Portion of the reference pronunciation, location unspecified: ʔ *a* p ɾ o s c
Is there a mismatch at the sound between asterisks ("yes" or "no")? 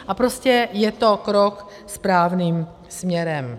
no